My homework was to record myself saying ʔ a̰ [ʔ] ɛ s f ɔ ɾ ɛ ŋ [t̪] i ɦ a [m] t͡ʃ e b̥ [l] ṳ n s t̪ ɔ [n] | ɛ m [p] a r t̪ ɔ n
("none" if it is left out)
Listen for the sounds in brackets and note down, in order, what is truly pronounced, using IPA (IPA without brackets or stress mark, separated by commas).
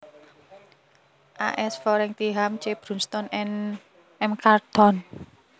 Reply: ʔ, t̪, m, ɾ, n, k